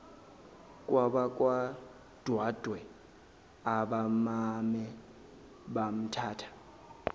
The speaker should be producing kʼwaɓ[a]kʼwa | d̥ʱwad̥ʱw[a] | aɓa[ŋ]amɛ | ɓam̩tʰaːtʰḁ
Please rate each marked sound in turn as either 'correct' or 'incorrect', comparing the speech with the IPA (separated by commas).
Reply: correct, incorrect, incorrect